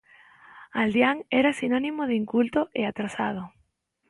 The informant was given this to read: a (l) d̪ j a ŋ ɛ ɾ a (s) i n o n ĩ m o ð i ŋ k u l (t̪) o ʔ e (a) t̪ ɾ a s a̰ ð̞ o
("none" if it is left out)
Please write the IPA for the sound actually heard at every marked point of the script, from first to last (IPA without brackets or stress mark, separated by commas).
l, s, t̪, a